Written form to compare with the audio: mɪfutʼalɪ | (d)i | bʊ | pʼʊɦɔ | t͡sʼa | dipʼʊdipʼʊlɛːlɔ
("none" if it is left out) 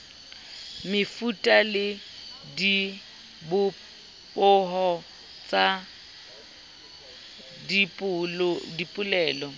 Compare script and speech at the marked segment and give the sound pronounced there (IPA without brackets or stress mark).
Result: d